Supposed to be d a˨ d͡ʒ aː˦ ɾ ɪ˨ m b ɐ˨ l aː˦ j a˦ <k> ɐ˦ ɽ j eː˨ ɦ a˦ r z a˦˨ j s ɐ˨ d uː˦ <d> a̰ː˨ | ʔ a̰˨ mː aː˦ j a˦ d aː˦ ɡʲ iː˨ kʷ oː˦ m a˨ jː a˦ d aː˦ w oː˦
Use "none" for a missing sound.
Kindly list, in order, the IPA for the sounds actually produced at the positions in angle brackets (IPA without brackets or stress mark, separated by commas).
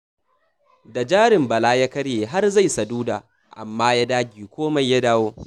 k, d